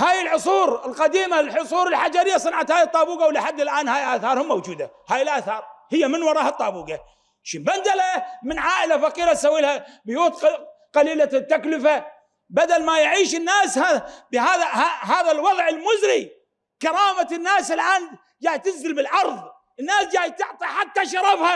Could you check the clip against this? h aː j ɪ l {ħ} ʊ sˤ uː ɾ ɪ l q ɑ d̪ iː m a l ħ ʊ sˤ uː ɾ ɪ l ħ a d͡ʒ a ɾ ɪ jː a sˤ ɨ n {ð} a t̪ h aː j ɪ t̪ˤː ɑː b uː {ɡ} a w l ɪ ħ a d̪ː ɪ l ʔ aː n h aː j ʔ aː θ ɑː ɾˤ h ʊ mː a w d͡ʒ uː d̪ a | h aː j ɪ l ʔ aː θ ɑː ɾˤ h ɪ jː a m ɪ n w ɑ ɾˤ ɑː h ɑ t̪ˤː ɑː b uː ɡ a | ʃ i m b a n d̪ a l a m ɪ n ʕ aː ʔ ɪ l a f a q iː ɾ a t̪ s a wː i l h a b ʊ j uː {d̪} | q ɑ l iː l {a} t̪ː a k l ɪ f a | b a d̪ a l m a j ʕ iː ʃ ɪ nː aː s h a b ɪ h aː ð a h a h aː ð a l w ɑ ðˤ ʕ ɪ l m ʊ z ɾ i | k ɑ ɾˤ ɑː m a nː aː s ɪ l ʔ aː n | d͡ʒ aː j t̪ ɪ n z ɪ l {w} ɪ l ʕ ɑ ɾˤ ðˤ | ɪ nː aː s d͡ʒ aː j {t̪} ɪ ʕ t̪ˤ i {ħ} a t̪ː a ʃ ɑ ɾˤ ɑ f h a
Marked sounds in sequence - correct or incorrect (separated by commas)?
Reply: correct, incorrect, correct, incorrect, correct, incorrect, correct, correct